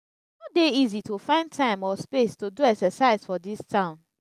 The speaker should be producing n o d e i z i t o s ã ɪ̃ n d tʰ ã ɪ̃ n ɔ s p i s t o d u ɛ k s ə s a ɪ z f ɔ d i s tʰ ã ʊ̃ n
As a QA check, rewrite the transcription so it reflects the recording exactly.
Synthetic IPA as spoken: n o d e i z i t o f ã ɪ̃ n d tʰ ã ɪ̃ m ɔ s p e s t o d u ɛ k s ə s a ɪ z f ɔ d i s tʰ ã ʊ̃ n